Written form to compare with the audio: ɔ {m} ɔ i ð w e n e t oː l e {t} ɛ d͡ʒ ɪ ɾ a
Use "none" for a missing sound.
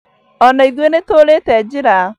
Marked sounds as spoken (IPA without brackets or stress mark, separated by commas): n, t